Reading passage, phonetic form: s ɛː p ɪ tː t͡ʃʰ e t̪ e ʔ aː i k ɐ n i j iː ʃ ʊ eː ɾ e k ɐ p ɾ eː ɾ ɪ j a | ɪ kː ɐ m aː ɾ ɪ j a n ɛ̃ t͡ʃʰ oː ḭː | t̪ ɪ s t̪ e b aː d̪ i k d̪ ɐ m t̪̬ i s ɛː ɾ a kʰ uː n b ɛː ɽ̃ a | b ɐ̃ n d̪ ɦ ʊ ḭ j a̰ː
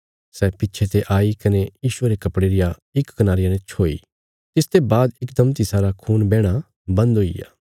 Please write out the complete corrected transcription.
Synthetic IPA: s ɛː p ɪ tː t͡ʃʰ e t̪ e ʔ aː i k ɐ n e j iː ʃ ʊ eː ɾ e k ɐ p ɽ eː ɾ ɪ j a | ɪ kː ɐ n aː ɾ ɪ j a n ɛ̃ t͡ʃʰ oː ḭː | t̪ ɪ s t̪ e b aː d̪ ɪ k d̪ ɐ m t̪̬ i s aː ɾ a kʰ uː n b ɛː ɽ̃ a | b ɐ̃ n d̪ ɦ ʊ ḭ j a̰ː